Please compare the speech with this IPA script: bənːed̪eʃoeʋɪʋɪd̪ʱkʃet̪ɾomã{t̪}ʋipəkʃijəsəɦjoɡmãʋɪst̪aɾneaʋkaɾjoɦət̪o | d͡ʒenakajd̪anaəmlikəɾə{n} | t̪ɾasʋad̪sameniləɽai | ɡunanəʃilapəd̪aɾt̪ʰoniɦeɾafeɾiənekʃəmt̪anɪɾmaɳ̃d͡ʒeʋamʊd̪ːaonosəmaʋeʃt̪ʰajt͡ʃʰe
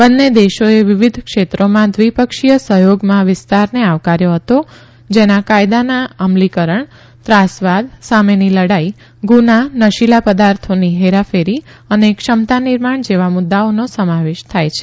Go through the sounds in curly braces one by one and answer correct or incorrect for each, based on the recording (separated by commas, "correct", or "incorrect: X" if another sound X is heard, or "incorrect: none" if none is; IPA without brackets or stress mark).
incorrect: d̪, incorrect: ɳ